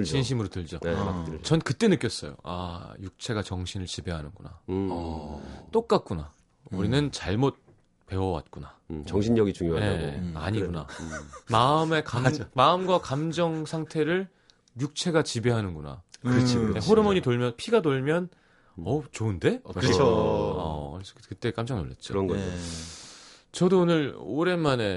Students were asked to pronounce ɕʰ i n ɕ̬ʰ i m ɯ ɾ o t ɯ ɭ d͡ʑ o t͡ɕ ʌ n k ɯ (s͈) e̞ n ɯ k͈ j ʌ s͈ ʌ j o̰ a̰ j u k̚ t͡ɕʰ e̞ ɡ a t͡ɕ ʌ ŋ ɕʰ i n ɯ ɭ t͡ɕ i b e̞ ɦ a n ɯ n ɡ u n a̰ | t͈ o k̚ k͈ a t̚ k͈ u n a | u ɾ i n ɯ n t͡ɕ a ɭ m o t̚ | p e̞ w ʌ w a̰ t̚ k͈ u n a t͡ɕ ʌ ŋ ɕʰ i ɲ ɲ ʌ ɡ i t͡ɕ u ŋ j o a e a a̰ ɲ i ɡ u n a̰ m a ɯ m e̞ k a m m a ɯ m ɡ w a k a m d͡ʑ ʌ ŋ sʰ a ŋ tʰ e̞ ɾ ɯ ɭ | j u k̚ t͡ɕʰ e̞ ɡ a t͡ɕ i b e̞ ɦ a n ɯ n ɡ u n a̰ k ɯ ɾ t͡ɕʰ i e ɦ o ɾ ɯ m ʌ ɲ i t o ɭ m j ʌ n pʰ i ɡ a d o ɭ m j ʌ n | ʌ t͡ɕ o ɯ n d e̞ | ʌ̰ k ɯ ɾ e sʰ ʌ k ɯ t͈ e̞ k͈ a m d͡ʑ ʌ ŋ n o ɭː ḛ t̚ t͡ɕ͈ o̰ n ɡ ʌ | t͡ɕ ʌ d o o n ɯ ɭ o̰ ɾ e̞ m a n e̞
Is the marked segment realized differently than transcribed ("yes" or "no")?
yes